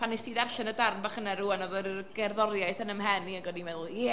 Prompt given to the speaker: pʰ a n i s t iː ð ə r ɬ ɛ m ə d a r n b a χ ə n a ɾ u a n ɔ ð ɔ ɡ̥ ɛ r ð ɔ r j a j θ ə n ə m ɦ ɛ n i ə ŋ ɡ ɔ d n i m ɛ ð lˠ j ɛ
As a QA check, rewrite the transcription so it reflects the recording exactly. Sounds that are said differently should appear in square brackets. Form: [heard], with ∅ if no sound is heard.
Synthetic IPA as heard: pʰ a n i s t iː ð [a] r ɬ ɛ [n] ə d a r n b a χ ə n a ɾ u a n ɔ ð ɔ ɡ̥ ɛ r ð ɔ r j a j θ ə n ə m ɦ ɛ n i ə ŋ ɡ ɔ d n i m ɛ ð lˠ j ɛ